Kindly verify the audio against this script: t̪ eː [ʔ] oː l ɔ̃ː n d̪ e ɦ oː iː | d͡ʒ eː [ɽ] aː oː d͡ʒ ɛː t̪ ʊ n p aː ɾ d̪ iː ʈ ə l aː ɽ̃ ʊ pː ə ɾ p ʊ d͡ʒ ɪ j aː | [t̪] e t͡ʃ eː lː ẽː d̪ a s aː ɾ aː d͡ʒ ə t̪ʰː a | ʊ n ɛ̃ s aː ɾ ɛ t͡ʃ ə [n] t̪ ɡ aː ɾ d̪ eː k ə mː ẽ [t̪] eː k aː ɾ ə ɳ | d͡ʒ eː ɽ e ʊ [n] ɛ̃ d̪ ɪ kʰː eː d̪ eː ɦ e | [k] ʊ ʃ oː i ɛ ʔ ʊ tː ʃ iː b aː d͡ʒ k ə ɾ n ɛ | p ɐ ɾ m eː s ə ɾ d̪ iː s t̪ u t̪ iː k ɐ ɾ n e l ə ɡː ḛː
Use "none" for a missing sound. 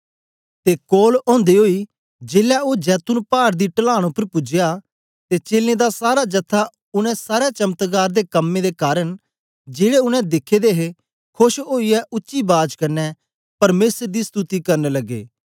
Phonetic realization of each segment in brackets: k, l, t̪, m, d̪, n, kʰ

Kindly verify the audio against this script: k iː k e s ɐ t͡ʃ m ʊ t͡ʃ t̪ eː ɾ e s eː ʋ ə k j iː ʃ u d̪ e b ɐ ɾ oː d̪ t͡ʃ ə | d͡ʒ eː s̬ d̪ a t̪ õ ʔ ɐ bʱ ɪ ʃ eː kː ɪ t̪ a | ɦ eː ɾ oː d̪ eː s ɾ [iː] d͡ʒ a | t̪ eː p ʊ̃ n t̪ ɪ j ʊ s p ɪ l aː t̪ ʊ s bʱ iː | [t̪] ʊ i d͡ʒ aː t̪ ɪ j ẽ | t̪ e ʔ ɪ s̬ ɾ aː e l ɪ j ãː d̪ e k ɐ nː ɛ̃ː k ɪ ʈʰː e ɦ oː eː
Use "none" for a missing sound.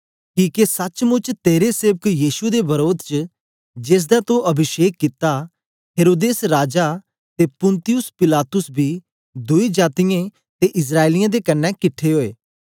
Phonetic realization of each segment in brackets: aː, d̪

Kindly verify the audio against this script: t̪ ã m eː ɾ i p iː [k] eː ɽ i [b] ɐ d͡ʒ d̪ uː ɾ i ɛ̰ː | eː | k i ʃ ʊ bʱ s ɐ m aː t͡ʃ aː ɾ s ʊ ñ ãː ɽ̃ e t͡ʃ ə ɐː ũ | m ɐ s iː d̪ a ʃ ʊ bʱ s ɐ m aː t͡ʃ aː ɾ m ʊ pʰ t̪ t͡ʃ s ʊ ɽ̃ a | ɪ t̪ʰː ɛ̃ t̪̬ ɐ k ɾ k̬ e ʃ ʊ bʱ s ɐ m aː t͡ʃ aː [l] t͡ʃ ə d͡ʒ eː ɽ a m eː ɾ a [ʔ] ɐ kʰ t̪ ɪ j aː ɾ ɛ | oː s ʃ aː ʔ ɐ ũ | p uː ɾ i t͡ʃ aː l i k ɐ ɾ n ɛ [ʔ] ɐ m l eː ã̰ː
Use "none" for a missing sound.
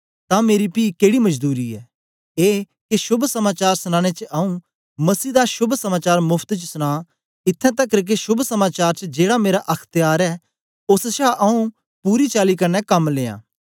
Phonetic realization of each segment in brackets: k, m, ɾ, ʔ, k

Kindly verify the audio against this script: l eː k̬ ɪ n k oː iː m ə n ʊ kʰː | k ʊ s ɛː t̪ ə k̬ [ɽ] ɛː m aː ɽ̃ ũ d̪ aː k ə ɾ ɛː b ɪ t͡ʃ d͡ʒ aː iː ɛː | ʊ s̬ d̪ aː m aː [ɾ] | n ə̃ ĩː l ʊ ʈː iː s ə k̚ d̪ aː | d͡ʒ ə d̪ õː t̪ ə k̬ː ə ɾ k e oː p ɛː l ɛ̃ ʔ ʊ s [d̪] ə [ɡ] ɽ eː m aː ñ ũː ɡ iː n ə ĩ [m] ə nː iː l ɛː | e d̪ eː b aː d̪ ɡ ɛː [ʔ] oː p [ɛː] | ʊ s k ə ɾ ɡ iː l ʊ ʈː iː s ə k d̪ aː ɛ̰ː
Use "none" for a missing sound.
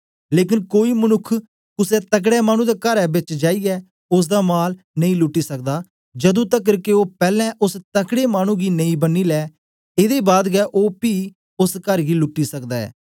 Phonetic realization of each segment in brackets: ɽ, l, t̪, k, b, ʔ, iː

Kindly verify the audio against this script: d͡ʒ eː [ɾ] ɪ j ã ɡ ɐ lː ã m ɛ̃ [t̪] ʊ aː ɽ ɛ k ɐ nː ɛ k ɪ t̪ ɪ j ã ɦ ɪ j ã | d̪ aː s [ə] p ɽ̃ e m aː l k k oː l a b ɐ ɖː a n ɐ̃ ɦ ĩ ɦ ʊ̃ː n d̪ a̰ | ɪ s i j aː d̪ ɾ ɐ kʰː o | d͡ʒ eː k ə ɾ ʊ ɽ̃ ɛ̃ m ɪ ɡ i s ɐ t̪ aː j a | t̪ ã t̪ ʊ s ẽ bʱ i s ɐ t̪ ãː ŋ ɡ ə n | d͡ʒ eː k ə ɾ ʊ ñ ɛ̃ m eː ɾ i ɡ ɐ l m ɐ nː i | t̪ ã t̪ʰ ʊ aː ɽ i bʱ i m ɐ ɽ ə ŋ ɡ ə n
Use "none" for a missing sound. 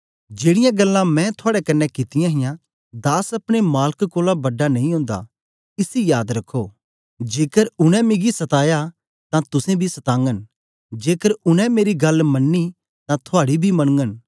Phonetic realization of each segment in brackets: ɽ, t̪ʰ, ɐ

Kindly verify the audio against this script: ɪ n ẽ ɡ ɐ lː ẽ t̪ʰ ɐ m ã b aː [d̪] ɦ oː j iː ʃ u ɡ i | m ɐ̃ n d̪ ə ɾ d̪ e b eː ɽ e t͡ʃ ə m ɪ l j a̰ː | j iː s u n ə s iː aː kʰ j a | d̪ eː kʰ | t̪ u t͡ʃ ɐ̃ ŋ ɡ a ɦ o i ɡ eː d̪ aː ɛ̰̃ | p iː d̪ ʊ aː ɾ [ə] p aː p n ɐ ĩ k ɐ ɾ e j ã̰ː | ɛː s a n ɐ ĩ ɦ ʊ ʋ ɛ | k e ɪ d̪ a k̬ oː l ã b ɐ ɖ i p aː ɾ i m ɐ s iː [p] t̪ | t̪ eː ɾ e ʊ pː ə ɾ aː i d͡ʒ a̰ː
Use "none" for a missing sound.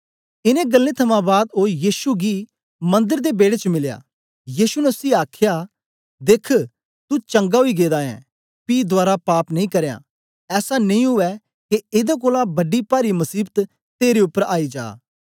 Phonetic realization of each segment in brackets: d̪, a, b

